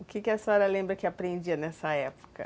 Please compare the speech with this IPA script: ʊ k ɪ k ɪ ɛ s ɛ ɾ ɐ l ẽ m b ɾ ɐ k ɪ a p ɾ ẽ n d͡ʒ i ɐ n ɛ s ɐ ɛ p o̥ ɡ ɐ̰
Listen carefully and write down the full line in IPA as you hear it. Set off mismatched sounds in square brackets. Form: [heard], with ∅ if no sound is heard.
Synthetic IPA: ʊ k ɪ k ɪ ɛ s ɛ ɾ ɐ l ẽ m b ɾ ɐ k ɪ a p ɾ ẽ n d͡ʒ i ɐ n ɛ s ɐ ɛ p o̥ [k] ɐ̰